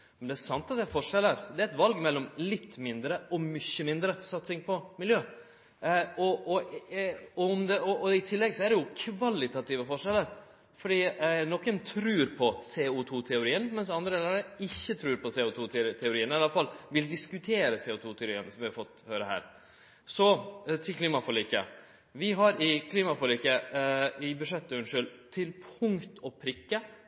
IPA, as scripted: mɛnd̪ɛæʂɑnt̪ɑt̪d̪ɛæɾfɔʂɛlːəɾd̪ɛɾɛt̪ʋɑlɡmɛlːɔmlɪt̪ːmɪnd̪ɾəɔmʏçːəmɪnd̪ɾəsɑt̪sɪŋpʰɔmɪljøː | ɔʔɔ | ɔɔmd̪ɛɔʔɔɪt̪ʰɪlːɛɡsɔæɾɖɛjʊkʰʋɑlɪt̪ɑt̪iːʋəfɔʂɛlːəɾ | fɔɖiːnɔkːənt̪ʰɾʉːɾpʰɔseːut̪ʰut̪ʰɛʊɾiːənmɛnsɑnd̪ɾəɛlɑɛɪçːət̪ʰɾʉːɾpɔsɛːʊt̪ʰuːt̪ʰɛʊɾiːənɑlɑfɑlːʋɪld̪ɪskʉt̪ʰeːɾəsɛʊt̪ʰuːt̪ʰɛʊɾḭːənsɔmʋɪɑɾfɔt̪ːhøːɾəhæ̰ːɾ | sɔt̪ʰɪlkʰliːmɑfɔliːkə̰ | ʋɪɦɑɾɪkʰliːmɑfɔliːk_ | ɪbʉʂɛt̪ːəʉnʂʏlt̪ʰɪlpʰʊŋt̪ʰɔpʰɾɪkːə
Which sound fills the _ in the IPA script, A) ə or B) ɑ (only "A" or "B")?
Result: A